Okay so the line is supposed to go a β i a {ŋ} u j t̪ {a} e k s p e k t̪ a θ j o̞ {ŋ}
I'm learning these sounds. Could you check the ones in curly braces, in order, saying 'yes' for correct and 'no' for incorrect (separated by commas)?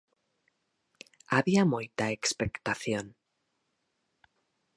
no, yes, no